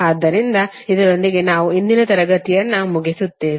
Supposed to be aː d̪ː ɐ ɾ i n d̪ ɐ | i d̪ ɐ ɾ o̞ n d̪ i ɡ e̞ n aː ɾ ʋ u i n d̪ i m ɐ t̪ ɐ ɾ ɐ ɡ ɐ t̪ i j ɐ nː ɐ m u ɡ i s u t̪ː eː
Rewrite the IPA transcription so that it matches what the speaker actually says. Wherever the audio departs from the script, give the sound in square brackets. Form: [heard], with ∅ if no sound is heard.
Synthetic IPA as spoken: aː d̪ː ɐ ɾ i n d̪ ɐ | i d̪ ɐ ɾ o̞ n d̪ i ɡ e̞ n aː [∅] ʋ u i n d̪ i [n] ɐ t̪ ɐ ɾ ɐ ɡ ɐ t̪ i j ɐ nː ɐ m u ɡ i s u t̪ː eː